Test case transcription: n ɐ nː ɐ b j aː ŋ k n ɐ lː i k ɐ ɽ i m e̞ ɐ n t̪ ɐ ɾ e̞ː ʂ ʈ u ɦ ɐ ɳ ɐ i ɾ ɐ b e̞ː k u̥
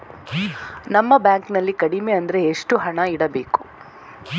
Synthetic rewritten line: n ɐ mː ɐ b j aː ŋ k n ɐ lː i k ɐ ɽ i m e̞ ɐ n d̪ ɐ ɾ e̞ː ʂ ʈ u ɦ ɐ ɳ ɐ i ɽ ɐ b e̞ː k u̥